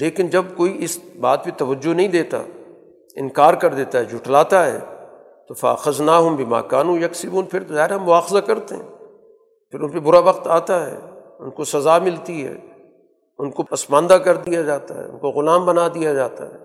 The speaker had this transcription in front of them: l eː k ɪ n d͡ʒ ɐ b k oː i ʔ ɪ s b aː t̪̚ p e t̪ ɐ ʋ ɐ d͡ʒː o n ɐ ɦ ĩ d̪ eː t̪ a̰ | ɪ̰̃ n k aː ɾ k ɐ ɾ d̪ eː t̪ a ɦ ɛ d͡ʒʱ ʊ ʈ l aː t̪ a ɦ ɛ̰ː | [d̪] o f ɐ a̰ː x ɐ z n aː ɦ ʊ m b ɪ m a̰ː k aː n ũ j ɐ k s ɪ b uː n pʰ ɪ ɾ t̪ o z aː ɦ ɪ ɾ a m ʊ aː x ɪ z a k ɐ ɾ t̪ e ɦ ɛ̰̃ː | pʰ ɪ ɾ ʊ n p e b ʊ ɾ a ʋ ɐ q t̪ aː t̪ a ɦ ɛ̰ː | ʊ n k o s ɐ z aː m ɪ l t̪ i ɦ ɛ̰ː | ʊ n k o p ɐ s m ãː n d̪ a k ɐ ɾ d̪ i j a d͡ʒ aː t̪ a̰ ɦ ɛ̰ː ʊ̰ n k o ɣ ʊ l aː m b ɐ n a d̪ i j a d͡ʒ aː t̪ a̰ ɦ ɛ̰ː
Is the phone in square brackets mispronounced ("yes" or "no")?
yes